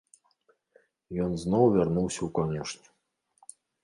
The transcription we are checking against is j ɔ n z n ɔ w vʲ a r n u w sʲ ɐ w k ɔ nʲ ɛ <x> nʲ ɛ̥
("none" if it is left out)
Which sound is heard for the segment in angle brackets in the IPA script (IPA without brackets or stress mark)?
ʂ